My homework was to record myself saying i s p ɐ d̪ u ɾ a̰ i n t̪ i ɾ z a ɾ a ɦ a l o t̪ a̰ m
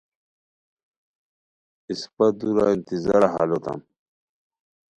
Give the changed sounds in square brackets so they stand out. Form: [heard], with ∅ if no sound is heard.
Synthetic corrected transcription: i s p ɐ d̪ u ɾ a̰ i n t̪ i [∅] z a ɾ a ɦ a l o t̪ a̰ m